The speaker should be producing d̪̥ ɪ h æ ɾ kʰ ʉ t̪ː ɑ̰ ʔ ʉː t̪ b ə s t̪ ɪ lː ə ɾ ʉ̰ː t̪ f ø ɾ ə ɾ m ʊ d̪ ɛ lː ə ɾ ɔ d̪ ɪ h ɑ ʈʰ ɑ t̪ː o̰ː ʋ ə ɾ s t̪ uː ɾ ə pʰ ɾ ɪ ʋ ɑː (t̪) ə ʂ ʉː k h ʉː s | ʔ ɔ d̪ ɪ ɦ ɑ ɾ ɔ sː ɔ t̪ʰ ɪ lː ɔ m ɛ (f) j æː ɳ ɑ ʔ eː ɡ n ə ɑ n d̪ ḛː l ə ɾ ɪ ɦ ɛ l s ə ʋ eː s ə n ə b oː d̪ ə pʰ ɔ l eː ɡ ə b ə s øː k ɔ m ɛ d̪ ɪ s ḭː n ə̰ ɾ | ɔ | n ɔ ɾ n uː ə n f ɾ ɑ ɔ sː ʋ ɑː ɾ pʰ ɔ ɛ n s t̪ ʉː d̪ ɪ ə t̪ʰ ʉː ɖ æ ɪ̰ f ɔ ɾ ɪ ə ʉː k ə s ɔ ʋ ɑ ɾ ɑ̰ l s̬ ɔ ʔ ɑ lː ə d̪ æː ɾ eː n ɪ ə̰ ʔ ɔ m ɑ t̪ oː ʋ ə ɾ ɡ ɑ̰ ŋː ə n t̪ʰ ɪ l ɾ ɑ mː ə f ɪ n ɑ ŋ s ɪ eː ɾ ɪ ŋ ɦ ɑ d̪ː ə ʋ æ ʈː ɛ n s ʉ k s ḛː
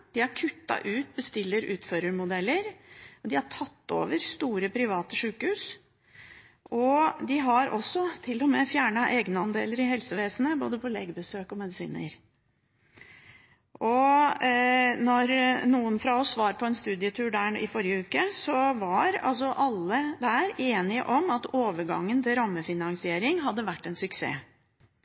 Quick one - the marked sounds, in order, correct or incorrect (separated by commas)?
correct, correct